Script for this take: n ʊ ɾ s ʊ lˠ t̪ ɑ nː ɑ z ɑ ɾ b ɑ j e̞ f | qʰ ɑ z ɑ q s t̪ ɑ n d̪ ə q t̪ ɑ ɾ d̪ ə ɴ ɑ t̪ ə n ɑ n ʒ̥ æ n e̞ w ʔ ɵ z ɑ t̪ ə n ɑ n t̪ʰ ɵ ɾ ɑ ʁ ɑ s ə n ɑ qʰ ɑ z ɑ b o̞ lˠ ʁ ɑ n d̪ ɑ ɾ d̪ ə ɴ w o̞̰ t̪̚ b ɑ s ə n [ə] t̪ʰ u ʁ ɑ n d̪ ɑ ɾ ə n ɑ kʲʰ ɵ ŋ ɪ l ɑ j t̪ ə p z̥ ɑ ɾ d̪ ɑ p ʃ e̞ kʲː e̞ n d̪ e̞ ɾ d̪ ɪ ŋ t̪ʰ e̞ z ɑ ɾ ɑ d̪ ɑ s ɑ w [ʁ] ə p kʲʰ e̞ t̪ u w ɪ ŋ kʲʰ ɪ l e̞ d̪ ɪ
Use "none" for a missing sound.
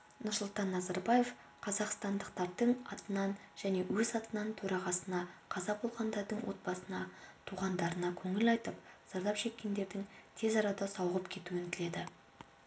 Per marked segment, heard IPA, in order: ɑ, ʁ

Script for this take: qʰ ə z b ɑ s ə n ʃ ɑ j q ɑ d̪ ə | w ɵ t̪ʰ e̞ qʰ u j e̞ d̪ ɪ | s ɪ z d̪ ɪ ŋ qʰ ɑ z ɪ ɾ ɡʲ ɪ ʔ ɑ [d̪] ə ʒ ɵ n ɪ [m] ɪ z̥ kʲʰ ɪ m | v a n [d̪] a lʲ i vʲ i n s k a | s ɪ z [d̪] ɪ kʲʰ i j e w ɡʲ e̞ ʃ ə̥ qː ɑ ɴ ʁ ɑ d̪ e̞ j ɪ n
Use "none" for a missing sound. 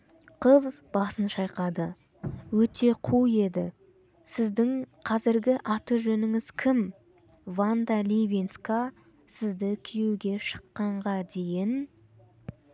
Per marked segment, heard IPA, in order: t̪, ŋ, d̪, d̪

